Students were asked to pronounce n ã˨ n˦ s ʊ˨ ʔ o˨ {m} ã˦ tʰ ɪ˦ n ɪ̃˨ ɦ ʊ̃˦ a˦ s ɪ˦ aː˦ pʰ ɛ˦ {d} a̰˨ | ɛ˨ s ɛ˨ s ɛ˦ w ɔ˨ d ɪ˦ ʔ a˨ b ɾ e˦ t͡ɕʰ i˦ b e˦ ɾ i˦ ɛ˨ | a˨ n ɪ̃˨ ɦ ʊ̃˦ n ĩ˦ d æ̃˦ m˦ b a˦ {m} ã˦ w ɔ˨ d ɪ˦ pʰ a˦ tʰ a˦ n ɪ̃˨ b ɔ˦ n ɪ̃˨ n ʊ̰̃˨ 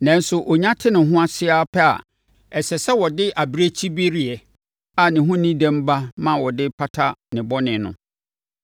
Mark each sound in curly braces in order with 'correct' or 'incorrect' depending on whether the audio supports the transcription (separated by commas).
incorrect, incorrect, correct